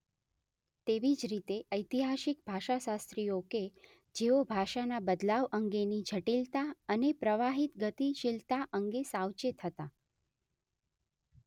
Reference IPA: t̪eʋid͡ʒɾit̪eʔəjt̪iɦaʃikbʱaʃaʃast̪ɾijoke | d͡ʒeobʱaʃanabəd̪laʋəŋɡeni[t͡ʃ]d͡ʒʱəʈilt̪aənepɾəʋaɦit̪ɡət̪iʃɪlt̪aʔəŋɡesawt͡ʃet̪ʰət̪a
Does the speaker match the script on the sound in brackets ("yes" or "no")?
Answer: no